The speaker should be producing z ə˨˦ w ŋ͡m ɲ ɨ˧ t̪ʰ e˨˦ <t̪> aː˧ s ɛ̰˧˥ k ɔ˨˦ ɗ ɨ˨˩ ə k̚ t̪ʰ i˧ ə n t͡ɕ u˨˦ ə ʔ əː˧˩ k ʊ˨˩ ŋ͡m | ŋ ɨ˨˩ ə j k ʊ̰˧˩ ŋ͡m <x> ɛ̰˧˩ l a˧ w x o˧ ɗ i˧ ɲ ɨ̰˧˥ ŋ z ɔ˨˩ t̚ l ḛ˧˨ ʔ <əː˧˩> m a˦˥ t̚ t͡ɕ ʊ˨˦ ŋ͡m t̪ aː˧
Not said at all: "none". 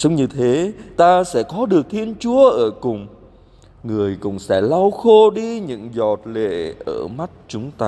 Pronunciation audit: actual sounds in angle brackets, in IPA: t̪, s, əː˧˩

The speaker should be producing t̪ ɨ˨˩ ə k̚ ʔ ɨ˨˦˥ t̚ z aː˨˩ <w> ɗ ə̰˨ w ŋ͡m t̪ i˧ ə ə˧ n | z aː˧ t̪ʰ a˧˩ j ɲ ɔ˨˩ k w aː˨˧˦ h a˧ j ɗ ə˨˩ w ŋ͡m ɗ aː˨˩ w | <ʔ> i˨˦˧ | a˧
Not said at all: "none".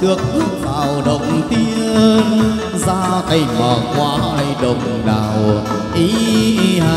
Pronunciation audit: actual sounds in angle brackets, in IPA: w, ʔ

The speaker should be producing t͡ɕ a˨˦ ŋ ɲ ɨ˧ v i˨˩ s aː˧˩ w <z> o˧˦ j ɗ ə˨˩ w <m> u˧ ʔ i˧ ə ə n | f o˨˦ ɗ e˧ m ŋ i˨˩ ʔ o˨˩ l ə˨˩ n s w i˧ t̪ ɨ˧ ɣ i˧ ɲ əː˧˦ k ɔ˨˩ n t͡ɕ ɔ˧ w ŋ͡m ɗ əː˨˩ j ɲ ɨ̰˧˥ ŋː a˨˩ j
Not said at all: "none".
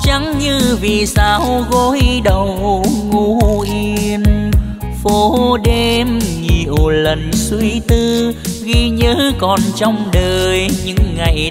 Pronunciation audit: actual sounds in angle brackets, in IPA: ɣ, ŋ

